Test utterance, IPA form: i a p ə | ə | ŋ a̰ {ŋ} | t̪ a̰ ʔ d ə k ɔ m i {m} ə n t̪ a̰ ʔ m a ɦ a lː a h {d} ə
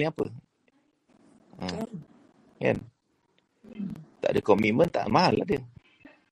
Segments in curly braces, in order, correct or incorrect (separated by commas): incorrect, correct, correct